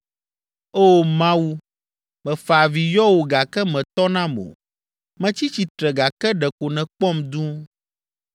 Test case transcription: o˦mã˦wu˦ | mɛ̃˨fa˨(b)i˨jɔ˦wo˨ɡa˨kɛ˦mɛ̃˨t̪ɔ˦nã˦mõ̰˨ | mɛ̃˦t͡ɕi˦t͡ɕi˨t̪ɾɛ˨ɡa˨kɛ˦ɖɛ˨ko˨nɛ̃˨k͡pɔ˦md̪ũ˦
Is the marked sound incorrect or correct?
incorrect: v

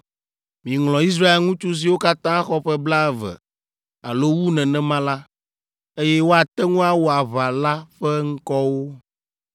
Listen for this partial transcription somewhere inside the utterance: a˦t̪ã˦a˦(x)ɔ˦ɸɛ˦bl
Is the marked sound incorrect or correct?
correct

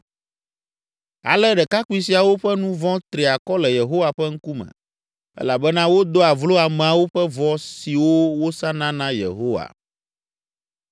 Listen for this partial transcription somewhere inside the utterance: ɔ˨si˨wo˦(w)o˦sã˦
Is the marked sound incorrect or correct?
correct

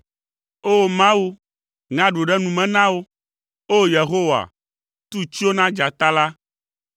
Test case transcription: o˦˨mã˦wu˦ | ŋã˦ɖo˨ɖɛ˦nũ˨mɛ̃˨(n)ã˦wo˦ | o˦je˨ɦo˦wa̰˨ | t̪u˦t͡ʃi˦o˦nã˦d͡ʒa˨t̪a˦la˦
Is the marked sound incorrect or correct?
correct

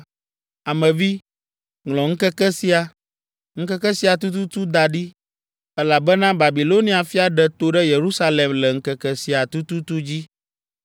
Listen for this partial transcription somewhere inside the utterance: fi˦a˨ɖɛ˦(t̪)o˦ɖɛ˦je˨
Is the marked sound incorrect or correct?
correct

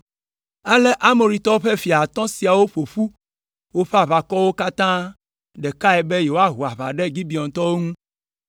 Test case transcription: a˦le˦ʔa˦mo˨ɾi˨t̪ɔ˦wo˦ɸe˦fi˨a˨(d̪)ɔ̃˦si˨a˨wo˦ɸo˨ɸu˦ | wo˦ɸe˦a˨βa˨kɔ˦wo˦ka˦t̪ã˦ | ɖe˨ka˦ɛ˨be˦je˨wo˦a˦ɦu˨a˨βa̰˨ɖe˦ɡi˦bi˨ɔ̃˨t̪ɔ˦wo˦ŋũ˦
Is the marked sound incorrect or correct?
incorrect: t̪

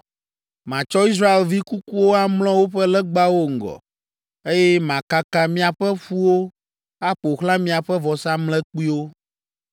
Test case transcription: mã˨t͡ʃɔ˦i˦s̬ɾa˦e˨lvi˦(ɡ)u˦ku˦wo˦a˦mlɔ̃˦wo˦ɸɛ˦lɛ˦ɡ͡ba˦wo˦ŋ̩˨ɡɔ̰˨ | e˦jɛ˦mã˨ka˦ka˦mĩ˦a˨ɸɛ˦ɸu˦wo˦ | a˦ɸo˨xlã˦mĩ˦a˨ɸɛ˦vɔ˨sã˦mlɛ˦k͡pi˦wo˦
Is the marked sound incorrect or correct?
incorrect: k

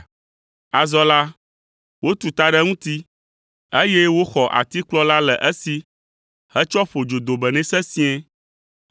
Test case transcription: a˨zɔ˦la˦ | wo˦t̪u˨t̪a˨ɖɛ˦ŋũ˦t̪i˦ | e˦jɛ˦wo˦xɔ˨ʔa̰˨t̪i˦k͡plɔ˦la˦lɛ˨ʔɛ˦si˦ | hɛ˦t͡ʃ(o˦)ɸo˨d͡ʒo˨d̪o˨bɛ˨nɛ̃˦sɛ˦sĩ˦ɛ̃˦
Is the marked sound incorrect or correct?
incorrect: ɔ˦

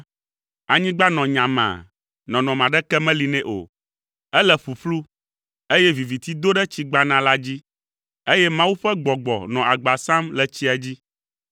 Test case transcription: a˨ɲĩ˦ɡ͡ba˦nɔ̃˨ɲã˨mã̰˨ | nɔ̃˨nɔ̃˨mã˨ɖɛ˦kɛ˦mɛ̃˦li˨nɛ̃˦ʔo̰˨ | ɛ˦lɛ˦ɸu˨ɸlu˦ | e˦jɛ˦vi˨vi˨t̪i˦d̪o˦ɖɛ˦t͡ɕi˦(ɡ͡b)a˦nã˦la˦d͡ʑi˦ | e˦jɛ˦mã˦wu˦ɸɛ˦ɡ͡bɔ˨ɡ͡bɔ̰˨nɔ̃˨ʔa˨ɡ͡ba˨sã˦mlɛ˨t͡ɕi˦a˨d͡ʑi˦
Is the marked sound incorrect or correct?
correct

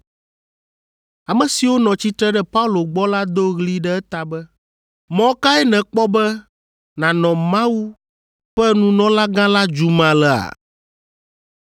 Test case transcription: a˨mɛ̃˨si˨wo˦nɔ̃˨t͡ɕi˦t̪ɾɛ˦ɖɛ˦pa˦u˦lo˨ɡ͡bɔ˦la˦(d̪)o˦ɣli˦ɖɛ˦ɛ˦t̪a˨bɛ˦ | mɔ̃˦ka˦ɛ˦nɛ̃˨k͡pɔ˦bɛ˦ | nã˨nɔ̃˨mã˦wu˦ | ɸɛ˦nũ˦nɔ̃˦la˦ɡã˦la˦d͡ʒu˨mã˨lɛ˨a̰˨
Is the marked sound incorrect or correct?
correct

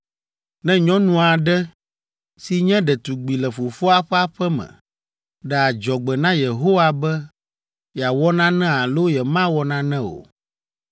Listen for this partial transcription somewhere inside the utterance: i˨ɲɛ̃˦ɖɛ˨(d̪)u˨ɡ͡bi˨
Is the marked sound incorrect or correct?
incorrect: t̪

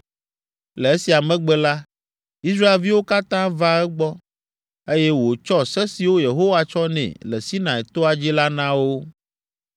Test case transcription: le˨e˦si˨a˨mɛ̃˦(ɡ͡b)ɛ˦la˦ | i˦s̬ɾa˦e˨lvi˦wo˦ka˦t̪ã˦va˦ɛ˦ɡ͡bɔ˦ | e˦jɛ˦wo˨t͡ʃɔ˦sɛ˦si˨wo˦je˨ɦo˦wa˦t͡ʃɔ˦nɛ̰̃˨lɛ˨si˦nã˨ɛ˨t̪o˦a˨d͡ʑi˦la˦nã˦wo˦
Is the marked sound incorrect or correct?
correct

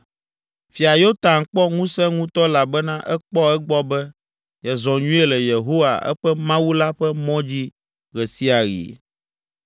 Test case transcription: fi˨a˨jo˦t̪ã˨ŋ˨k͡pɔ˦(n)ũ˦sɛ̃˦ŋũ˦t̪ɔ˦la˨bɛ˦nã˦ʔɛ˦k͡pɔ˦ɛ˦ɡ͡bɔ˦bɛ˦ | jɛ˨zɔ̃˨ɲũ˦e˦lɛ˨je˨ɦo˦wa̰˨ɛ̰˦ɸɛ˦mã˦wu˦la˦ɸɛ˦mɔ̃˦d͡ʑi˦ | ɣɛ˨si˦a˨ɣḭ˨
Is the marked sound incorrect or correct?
incorrect: ŋ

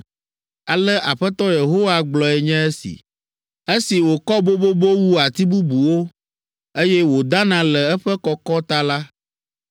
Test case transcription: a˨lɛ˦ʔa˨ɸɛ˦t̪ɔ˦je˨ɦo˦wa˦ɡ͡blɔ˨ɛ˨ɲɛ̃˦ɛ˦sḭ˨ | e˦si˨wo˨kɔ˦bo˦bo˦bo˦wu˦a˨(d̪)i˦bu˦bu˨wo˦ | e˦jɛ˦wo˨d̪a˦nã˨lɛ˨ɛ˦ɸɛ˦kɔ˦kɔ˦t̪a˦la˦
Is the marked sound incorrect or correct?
incorrect: t̪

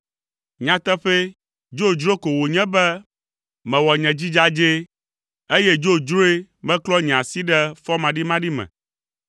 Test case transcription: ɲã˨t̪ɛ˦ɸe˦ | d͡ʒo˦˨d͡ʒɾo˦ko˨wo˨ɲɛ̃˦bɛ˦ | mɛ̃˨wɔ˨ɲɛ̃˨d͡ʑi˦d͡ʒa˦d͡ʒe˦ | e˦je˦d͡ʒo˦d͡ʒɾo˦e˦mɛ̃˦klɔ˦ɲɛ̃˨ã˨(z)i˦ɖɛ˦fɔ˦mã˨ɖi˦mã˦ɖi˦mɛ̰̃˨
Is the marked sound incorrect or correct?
incorrect: s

